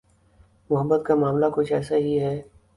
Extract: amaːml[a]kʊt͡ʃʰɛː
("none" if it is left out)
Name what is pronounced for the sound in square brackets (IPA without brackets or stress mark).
a